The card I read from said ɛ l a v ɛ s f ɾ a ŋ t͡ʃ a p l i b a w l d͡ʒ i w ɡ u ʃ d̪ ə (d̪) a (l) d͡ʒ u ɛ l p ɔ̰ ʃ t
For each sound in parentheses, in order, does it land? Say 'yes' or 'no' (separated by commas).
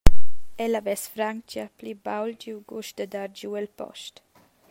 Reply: yes, no